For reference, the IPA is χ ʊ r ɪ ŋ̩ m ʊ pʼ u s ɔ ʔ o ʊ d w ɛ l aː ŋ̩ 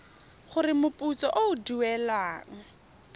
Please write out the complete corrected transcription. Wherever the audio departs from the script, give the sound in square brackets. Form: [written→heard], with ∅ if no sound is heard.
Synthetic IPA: χ ʊ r ɪ [ŋ̩→∅] m ʊ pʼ u [s→t͡s] ɔ ʔ o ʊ d [w→u] ɛ l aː ŋ̩